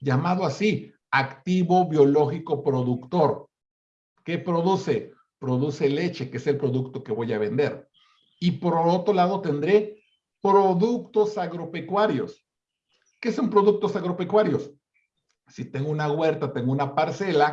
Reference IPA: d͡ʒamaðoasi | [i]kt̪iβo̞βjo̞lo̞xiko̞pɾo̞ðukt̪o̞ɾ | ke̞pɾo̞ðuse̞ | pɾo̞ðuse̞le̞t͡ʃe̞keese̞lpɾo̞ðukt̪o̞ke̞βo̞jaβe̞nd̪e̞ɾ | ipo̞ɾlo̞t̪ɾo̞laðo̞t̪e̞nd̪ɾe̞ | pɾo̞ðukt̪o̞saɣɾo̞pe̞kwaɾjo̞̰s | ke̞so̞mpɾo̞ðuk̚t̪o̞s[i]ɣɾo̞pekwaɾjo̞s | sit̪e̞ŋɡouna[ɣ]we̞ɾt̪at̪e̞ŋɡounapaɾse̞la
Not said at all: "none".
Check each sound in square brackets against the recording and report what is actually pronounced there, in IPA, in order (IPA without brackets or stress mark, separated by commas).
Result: a, a, ɣ